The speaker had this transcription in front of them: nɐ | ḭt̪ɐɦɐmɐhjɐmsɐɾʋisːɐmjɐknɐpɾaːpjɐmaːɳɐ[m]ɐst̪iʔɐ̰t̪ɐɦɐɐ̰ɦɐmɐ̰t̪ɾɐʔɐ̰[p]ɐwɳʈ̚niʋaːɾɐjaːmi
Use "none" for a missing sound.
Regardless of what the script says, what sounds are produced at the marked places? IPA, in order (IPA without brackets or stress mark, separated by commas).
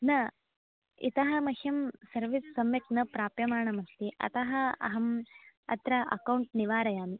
m, k